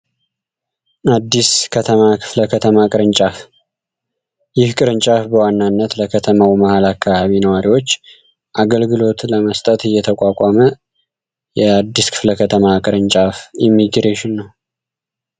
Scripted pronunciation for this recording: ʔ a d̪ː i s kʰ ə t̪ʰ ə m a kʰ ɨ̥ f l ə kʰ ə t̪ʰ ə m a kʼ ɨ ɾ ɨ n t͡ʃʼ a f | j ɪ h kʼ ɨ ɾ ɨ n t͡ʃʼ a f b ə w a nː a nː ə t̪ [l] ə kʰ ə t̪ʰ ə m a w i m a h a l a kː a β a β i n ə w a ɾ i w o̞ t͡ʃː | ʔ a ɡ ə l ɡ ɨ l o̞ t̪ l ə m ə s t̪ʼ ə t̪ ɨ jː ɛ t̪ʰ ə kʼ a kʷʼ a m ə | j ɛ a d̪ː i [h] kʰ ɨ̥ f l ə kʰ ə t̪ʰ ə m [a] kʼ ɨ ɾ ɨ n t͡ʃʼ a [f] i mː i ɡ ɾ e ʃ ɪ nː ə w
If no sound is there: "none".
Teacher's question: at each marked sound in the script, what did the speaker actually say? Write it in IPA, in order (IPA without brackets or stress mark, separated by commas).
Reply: l, s, a, f